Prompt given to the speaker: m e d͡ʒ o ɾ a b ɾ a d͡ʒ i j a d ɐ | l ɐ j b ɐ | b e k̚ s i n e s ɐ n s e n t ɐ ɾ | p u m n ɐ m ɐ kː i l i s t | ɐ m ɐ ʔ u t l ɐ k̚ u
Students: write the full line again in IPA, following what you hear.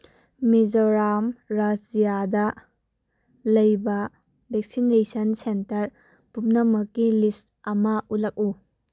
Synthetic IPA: m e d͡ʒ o ɾ a m ɾ a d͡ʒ i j a d ɐ | l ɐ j b ɐ | b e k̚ s i n e s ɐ n s e n t ɐ ɾ | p u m n ɐ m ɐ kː i l i s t | ɐ m ɐ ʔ u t l ɐ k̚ u

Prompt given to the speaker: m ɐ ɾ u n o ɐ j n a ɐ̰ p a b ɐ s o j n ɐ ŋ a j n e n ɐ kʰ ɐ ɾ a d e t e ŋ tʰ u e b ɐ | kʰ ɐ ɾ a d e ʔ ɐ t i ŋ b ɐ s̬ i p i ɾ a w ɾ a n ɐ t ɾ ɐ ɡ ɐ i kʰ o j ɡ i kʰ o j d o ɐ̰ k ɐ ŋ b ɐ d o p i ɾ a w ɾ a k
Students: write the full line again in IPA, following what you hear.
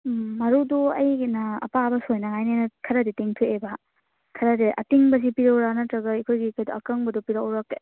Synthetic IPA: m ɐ ɾ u d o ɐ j n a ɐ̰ p a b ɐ s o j n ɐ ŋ a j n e n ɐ kʰ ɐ ɾ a d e t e ŋ tʰ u e b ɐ | kʰ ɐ ɾ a d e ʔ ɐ t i ŋ b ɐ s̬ i p i ɾ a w ɾ a n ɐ t ɾ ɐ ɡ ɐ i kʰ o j ɡ i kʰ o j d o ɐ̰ k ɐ ŋ b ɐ d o p i ɾ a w ɾ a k

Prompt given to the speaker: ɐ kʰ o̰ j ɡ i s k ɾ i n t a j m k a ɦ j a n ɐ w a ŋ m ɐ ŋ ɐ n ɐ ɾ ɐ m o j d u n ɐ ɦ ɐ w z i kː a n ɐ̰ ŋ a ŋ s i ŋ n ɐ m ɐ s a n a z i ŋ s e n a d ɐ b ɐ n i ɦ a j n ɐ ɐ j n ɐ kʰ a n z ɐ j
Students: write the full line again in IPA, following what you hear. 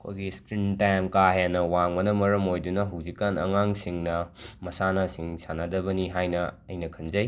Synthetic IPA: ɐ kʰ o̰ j ɡ i s k ɾ i n t a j m k a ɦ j a n ɐ w a ŋ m ɐ n ɐ m ɐ ɾ ɐ m o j d u n ɐ ɦ ɐ w z i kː a n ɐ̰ ŋ a ŋ s i ŋ n ɐ m ɐ s a n a s i ŋ s a n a d ɐ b ɐ n i ɦ a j n ɐ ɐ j n ɐ kʰ ɐ n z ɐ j

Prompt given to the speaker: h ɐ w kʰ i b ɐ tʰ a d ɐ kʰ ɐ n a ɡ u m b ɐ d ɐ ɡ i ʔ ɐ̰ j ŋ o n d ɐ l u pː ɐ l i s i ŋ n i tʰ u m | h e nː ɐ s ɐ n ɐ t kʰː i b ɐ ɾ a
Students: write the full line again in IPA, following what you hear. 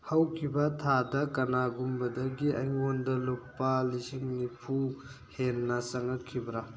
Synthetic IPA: h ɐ w kʰ i b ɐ tʰ a d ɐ k ɐ n a ɡ u m b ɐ d ɐ ɡ i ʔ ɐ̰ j ŋ o n d ɐ l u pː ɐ l i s i ŋ n i pʰ u | h e nː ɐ s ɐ ŋ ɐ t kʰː i b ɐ ɾ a

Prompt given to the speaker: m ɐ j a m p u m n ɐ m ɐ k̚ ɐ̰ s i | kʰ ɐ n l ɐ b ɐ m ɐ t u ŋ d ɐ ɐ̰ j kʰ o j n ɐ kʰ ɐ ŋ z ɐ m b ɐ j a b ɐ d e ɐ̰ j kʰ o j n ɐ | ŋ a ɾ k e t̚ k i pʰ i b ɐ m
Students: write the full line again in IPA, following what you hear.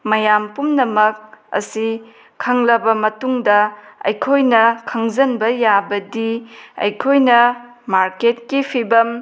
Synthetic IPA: m ɐ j a m p u m n ɐ m ɐ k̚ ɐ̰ s i | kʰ ɐ ŋ l ɐ b ɐ m ɐ t u ŋ d ɐ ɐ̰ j kʰ o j n ɐ kʰ ɐ ŋ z ɐ n b ɐ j a b ɐ d i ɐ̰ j kʰ o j n ɐ | m a ɾ k e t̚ k i pʰ i b ɐ m

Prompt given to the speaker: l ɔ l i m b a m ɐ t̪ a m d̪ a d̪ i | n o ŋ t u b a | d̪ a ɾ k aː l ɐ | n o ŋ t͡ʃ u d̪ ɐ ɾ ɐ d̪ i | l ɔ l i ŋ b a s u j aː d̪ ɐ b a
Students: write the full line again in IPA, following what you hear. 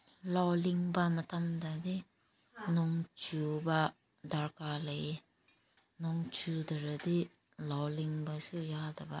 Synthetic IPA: l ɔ l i ŋ b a m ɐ t̪ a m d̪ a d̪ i | n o ŋ t͡ʃ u b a | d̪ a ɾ k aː l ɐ | n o ŋ t͡ʃ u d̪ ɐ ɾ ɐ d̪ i | l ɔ l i ŋ b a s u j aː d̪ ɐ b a

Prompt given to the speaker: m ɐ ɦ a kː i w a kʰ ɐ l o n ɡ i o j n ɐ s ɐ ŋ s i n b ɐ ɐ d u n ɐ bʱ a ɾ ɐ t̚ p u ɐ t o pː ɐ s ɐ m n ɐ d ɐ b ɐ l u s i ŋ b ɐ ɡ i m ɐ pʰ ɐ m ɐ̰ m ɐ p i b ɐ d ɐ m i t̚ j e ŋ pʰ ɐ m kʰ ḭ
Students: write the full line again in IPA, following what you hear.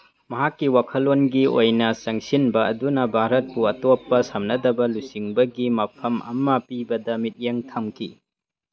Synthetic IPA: m ɐ ɦ a kː i w a kʰ ɐ l o n ɡ i o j n ɐ s ɐ ŋ s i n b ɐ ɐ d u n ɐ bʱ a ɾ ɐ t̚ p u ɐ t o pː ɐ s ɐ m n ɐ d ɐ b ɐ l u s i ŋ b ɐ ɡ i m ɐ pʰ ɐ m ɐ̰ m ɐ p i b ɐ d ɐ m i t̚ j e ŋ tʰ ɐ m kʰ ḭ

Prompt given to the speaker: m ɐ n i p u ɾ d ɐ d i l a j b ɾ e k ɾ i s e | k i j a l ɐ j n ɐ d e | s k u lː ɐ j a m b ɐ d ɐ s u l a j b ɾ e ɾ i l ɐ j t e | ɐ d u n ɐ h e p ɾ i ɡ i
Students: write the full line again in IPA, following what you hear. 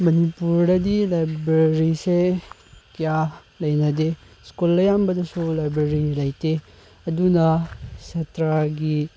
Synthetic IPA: m ɐ n i p u ɾ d ɐ d i l a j b ɾ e ɾ i s e | k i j a l ɐ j n ɐ d e | s k u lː ɐ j a m b ɐ d ɐ s u l a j b ɾ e ɾ i l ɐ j t e | ɐ d u n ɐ s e t ɾ a ɡ i

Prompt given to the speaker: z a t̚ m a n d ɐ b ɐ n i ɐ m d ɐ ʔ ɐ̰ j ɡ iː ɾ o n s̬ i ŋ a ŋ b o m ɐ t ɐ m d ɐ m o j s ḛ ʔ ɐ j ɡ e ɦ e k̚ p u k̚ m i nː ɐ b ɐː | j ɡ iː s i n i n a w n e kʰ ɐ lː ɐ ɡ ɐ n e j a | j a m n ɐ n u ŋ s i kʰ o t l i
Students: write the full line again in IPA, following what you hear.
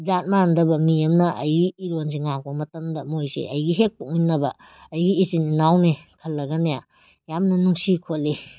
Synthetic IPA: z a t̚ m a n d ɐ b ɐ m i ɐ m n ɐ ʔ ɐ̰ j ɡ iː ɾ o n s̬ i ŋ a ŋ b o m ɐ t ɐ m d ɐ m o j s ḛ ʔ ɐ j ɡ i ɦ e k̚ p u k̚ m i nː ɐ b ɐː | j ɡ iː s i n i n a w n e kʰ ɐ lː ɐ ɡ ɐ n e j a | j a m n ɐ n u ŋ s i kʰ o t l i

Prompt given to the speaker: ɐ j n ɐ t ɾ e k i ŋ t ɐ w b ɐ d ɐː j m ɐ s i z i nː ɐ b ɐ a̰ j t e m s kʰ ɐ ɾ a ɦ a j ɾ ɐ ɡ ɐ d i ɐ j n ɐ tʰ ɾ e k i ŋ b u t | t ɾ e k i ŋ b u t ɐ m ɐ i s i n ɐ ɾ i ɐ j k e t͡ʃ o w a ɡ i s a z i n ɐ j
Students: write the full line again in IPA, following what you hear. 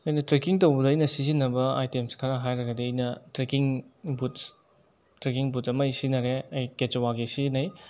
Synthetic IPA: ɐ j n ɐ t ɾ e k i ŋ t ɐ w b ɐ d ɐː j n ɐ s i z i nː ɐ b ɐ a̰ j t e m s kʰ ɐ ɾ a ɦ a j ɾ ɐ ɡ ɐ d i ɐ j n ɐ t ɾ e k i ŋ b u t | t ɾ e k i ŋ b u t ɐ m ɐ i s i n ɐ ɾ e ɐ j k e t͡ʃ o w a ɡ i s i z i n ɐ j

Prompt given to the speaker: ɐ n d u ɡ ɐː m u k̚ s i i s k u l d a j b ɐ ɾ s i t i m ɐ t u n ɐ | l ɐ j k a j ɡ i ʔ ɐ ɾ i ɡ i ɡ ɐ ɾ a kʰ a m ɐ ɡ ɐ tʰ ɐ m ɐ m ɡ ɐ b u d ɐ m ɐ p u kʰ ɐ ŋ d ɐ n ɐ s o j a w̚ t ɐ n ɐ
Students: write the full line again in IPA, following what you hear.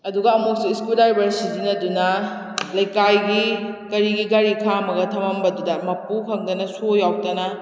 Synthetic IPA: ɐ d u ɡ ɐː m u k̚ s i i s k u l d a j b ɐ ɾ s i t i n ɐ d u n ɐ | l ɐ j k a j ɡ i k ɐ ɾ i ɡ i ɡ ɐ ɾ i kʰ a m ɐ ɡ ɐ tʰ ɐ m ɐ m b ɐ d u d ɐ m ɐ p u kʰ ɐ ŋ d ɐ n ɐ s o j a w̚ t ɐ n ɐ

